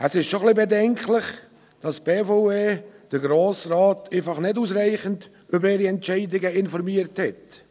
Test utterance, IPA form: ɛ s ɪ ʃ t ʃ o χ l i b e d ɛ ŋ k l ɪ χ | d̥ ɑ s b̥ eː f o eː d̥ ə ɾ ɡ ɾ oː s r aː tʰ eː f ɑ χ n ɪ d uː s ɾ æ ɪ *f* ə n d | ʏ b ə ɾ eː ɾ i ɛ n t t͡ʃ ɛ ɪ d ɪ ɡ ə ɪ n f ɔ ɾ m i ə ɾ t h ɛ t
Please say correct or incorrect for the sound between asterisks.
incorrect